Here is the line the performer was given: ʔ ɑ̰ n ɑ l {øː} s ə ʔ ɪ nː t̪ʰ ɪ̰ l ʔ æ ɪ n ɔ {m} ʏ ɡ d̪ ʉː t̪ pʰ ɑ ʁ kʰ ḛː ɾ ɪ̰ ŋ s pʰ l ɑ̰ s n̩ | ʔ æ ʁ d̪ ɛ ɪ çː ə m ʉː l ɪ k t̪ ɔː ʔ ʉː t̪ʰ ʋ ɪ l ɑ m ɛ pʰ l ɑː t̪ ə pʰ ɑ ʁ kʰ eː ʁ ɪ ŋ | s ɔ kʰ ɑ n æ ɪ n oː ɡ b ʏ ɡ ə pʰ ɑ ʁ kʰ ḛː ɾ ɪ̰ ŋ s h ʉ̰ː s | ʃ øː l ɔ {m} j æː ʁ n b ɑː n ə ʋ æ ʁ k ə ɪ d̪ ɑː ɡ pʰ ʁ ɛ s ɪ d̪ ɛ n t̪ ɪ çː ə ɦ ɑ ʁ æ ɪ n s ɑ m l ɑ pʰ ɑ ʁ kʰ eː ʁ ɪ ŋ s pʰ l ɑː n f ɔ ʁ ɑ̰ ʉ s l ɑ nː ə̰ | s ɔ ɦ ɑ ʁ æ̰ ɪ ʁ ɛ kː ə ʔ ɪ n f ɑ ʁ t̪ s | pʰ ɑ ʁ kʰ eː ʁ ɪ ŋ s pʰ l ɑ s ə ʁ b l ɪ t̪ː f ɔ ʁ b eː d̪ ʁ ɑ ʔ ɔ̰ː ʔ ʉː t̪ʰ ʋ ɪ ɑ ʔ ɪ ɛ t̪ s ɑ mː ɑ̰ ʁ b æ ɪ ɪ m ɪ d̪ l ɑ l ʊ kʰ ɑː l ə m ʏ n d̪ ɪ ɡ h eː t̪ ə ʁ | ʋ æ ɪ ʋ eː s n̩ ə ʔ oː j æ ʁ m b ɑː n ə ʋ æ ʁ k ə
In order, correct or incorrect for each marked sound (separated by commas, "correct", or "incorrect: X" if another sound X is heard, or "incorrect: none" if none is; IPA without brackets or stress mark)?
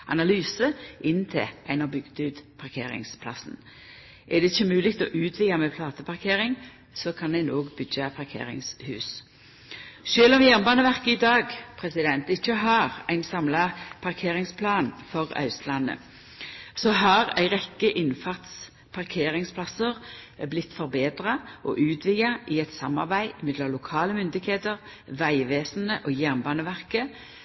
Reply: incorrect: yː, incorrect: b, correct